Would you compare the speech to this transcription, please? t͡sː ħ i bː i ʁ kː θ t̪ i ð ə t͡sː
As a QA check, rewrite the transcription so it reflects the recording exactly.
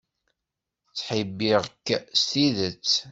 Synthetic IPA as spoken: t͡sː ħ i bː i ʁ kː s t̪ i ð ə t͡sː